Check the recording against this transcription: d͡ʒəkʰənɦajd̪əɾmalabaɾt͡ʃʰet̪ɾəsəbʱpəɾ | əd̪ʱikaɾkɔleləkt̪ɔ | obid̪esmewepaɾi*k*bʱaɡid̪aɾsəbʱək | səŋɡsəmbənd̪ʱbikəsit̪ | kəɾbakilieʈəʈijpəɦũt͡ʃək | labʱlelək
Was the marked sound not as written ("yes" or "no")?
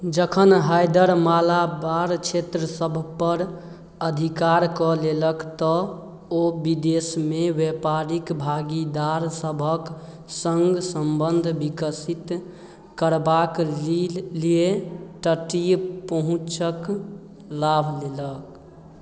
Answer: no